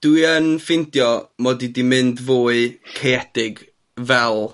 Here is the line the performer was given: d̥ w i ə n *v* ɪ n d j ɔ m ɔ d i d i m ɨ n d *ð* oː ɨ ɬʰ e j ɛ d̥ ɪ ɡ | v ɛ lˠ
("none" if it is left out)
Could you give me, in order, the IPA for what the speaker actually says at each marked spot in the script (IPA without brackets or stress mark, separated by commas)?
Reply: f, v